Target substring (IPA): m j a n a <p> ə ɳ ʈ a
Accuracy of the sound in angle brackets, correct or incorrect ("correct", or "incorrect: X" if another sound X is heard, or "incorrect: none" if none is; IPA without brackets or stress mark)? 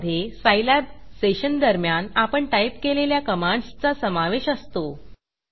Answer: correct